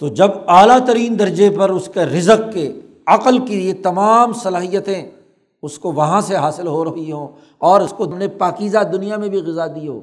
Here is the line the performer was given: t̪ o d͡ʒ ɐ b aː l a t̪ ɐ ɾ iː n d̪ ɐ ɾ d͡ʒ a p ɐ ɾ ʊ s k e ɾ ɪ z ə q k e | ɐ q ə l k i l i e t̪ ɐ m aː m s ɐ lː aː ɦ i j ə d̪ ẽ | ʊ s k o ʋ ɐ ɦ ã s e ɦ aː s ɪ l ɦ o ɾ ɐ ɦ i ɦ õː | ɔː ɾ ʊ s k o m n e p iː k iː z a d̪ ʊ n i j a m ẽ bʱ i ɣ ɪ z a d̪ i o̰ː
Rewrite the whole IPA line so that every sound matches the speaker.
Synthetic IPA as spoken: t̪ o d͡ʒ ɐ b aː l a t̪ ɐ ɾ iː n d̪ ɐ ɾ d͡ʒ e p ɐ ɾ ʊ s k e ɾ ɪ z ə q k e | ɐ q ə l k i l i e t̪ ɐ m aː m s ɐ l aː ɦ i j ə t̪ ẽ | ʊ s k o ʋ ɐ ɦ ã s e ɦ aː s ɪ l ɦ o ɾ ɐ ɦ i ɦ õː | ɔː ɾ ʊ s k o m n e p aː k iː z a d̪ ʊ n i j a m ẽ bʱ i ɣ ɪ z a d̪ i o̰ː